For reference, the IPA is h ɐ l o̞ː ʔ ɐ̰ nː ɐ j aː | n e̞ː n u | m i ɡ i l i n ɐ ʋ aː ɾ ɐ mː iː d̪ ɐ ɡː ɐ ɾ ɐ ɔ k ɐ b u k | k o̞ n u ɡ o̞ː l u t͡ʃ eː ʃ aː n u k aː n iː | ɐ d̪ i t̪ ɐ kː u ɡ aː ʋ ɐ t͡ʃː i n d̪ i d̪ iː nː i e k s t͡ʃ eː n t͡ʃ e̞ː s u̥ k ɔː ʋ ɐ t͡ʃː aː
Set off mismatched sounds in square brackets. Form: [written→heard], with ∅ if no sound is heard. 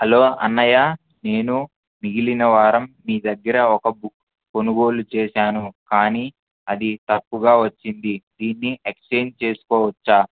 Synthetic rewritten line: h ɐ l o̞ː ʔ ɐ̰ nː ɐ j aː | n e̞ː n u | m i ɡ i l i n ɐ ʋ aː ɾ ɐ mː iː d̪ ɐ ɡː ɐ ɾ ɐ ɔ k ɐ b u k | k o̞ n u ɡ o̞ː l u t͡ʃ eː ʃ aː n u k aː n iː | ɐ d̪ i t̪ ɐ [kː→pː] u ɡ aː ʋ ɐ t͡ʃː i n d̪ i d̪ iː nː i e k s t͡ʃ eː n t͡ʃ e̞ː s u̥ k ɔː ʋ ɐ t͡ʃː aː